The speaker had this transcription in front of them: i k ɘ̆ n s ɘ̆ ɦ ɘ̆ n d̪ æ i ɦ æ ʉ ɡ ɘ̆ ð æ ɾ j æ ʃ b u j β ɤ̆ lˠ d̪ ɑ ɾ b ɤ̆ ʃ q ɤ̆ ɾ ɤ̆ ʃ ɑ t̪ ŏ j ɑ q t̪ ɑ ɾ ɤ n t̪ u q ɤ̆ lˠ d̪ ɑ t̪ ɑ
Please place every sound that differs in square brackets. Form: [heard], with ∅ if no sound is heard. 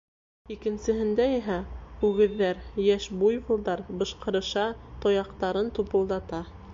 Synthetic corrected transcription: i k ɘ̆ n s ɘ̆ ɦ ɘ̆ n d̪ æ i ɦ æ ʉ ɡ ɘ̆ [ðː] æ ɾ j æ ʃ b u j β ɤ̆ lˠ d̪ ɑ ɾ b ɤ̆ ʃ q ɤ̆ ɾ ɤ̆ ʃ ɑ t̪ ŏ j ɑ q t̪ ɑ ɾ ɤ n t̪ u [p] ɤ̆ lˠ d̪ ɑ t̪ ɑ